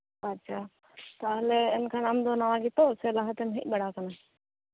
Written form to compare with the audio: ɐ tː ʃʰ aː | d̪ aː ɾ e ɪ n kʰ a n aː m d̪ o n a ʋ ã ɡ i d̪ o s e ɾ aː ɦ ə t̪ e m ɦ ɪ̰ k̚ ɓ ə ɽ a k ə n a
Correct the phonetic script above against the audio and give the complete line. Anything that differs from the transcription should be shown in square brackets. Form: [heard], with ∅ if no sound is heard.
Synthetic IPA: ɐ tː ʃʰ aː | [t̪] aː [l] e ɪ n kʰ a n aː m d̪ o n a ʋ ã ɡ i [t̪] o s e [l] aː ɦ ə t̪ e m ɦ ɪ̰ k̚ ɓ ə ɽ a k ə n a